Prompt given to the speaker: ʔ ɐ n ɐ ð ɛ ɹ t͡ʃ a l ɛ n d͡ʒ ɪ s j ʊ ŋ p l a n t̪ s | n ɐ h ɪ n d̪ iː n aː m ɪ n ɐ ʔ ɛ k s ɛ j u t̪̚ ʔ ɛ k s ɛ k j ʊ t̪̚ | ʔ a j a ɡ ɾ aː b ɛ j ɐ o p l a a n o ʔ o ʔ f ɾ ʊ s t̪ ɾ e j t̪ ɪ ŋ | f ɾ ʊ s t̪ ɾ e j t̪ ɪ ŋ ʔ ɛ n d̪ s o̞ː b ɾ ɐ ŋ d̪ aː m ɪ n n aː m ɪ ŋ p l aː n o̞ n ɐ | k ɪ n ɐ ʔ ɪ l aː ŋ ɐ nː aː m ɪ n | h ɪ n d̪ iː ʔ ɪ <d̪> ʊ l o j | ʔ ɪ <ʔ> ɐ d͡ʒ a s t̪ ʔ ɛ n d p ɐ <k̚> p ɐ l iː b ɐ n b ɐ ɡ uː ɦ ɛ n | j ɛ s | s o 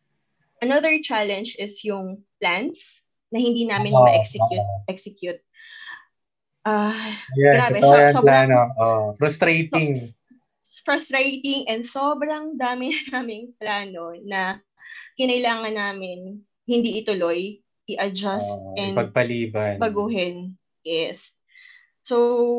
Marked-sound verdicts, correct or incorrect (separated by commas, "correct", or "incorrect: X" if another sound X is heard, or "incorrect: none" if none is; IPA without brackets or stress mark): incorrect: t̪, correct, incorrect: ɡ̚